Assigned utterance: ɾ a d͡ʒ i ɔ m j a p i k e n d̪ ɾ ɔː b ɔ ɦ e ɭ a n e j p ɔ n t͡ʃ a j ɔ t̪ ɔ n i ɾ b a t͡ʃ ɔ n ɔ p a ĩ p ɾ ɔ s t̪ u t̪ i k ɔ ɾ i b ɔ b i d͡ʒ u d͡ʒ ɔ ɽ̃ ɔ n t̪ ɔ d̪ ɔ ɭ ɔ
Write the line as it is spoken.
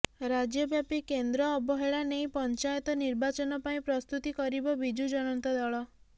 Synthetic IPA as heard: ɾ a d͡ʒ j ɔ b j a p i k e n d̪ ɾ ɔː b ɔ ɦ e ɭ a n e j p ɔ n t͡ʃ a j ɔ t̪ ɔ n i ɾ b a t͡ʃ ɔ n ɔ p a ĩ p ɾ ɔ s t̪ u t̪ i k ɔ ɾ i b ɔ b i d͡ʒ u d͡ʒ ɔ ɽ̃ ɔ n t̪ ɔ d̪ ɔ ɭ ɔ